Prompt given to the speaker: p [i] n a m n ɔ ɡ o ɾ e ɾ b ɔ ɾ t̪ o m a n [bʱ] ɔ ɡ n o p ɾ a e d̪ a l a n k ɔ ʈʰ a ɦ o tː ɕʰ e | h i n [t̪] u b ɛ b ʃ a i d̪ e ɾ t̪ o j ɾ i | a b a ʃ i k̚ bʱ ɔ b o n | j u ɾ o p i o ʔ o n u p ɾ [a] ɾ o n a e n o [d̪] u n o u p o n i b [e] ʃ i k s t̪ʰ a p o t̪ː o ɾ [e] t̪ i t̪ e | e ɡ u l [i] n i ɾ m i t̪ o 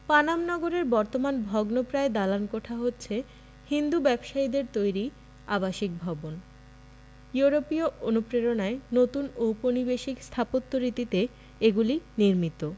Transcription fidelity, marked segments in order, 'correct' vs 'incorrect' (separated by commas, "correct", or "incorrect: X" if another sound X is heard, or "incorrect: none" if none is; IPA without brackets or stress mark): incorrect: a, correct, incorrect: d̪, incorrect: e, incorrect: t̪, correct, incorrect: i, correct